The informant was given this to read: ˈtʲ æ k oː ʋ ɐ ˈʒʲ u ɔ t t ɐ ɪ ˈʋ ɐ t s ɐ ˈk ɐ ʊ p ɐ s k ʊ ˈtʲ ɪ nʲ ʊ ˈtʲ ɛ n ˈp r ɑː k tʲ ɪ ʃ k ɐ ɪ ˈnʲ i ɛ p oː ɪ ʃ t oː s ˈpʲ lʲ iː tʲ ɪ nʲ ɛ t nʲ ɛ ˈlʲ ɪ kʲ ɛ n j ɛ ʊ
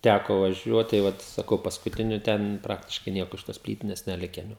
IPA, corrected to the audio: ˈtʲ æ k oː ʋ ɐ ˈʒʲ u ɔ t t ɐ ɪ ˈʋ ɐ t s ɐ ˈk ɐ ʊ p ɐ s k ʊ ˈtʲ ɪ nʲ ʊ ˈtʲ ɛ n ˈp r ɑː k tʲ ɪ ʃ k ɐ ɪ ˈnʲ i ɛ k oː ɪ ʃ t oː s ˈpʲ lʲ iː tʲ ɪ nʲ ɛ s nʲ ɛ ˈlʲ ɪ kʲ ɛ n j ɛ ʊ